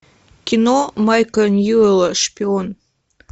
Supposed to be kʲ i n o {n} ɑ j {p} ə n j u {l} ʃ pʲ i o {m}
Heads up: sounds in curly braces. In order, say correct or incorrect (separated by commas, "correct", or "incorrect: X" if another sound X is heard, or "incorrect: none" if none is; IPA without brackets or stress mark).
incorrect: m, incorrect: k, correct, incorrect: n